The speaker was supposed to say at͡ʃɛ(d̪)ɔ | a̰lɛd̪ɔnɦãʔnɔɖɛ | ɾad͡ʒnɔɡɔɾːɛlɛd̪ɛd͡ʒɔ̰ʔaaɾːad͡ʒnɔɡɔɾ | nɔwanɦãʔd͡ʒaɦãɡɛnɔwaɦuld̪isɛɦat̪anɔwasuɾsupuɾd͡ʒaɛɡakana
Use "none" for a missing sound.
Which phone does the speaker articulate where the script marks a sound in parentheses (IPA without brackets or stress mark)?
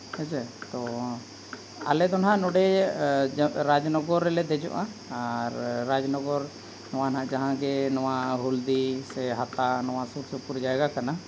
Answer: t̪